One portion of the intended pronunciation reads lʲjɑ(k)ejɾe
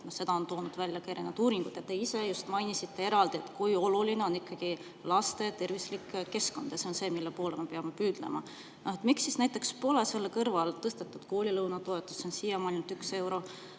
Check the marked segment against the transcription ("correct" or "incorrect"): correct